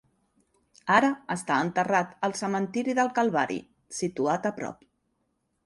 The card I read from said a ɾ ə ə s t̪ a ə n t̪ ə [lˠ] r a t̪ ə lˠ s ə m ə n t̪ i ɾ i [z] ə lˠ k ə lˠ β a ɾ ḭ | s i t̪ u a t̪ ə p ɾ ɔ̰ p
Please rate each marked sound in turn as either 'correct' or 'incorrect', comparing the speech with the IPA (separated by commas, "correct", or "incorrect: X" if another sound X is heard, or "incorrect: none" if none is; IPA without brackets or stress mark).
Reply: incorrect: none, incorrect: ð